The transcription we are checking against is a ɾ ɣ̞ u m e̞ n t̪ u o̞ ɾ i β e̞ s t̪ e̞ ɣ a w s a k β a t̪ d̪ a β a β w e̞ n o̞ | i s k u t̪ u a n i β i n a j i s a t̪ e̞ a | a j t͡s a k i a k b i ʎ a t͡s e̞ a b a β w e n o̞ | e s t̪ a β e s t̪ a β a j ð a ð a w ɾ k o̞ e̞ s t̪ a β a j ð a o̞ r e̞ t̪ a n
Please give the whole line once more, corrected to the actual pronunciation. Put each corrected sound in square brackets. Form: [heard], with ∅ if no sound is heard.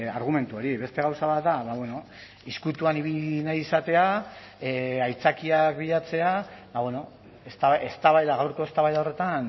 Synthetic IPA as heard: a ɾ ɣ̞ u m e̞ n t̪ u o̞ ɾ i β e̞ s t̪ e̞ ɣ a w s a [∅] β a t̪ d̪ a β a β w e̞ n o̞ | i s k u t̪ u a n i β i n a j i s a t̪ e̞ a | a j t͡s a k i a k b i ʎ a t͡s e̞ a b a β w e n o̞ | e s t̪ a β e s t̪ a β a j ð a [ɣ] a w ɾ k o̞ e̞ s t̪ a β a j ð a o̞ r e̞ t̪ a n